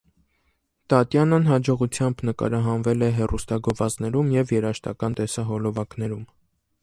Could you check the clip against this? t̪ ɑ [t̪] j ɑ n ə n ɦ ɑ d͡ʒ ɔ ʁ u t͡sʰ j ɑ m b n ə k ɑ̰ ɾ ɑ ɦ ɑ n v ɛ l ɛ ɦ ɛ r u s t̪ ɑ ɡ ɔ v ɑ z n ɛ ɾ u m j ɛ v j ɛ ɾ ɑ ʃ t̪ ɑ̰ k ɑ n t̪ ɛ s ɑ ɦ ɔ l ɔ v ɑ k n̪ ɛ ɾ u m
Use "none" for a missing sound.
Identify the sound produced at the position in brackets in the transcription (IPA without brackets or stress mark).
t̪